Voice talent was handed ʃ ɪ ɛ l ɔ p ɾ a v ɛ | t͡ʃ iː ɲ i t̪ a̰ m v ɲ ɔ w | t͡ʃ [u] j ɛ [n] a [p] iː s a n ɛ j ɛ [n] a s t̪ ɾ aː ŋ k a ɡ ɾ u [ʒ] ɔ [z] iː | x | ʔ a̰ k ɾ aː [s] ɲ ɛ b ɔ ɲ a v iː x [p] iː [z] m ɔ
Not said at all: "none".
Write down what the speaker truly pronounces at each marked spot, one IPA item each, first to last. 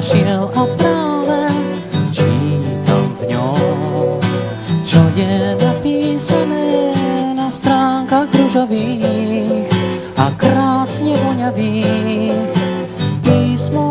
ɔ, n, p, n, ʒ, v, s, p, s

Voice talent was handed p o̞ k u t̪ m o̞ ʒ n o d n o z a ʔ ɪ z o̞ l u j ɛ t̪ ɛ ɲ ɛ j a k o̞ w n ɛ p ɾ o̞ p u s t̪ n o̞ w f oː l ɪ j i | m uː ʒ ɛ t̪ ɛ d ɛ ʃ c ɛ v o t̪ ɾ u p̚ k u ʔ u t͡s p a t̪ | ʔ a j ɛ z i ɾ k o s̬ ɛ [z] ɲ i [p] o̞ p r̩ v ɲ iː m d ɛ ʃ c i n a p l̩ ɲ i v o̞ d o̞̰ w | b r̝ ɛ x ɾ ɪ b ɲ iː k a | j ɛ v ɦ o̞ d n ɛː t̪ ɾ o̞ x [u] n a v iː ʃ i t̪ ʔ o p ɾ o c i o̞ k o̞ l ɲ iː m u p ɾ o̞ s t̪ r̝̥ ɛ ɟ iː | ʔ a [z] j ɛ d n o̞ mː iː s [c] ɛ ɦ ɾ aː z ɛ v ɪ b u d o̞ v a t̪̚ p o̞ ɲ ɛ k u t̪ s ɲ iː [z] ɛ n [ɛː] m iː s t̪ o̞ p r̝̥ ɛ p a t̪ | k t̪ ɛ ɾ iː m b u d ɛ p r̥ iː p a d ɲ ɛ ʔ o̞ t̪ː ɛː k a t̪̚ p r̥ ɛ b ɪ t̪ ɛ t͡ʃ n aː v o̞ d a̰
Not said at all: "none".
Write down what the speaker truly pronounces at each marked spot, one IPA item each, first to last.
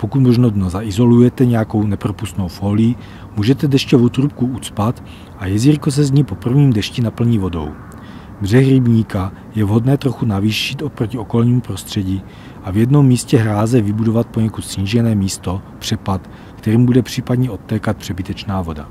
z, p, u, v, c, ʒ, ɛː

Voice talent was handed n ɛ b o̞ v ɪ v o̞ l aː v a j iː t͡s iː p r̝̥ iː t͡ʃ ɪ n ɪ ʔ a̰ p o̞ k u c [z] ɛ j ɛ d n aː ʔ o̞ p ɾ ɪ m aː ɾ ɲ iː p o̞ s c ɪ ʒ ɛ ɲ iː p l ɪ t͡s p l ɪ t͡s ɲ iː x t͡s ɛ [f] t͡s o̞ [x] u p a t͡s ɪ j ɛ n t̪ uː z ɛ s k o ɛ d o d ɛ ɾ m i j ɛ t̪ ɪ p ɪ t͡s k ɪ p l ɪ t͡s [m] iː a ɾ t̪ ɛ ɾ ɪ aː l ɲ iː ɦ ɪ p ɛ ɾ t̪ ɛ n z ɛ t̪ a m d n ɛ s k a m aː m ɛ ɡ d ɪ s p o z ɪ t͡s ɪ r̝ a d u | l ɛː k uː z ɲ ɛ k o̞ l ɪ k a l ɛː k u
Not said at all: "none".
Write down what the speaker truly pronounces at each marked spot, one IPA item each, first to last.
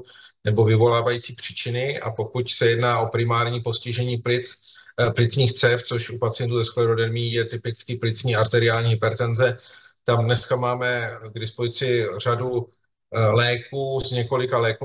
s, f, ʃ, ɲ

